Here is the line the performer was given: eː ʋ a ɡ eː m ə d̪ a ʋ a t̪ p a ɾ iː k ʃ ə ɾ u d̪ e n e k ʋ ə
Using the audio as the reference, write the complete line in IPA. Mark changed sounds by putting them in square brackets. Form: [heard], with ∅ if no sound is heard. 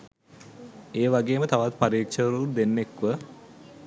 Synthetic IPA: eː ʋ a ɡ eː m ə [t̪] a ʋ a t̪ p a ɾ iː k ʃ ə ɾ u d̪ e [nː] e k ʋ ə

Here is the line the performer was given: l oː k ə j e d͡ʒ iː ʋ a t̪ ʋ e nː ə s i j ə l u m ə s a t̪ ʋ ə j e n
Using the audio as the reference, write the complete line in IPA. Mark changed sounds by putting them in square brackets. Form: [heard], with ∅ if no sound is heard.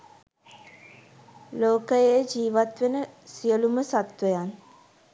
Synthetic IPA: l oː k ə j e d͡ʒ iː ʋ a t̪ ʋ e [n] ə s i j ə l u m ə s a t̪ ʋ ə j [a] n

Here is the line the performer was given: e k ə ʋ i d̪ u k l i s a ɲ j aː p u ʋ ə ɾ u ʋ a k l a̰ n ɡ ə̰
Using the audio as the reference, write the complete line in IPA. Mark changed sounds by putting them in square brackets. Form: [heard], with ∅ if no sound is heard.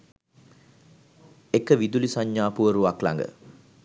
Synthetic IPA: e k ə ʋ i d̪ u [∅] l i s a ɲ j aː p u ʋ ə ɾ u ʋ a k l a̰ [ŋ] ɡ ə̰

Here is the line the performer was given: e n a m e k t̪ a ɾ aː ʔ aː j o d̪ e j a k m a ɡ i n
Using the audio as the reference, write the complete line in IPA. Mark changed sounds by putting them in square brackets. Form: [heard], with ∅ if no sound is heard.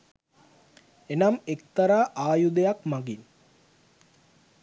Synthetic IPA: e n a m e k t̪ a ɾ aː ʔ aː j [u] d̪ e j a k m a ɡ i n

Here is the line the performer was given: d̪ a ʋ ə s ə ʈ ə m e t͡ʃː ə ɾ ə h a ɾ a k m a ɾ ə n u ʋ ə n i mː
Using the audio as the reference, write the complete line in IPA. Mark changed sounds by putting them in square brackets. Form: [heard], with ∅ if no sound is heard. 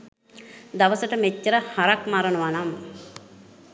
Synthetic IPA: d̪ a ʋ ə s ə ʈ ə m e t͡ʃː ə ɾ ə h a ɾ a k m a ɾ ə n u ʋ [a] n [a] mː

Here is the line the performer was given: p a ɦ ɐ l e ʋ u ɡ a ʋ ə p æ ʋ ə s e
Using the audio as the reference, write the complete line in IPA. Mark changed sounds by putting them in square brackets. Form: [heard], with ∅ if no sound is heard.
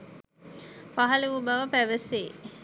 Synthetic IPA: p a ɦ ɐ l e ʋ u [b] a ʋ ə p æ ʋ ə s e

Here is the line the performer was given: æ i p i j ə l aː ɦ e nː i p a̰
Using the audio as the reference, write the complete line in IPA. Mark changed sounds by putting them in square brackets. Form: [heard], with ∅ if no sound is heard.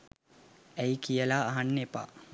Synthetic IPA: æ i [k] i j ə l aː ɦ [a] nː [e] p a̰

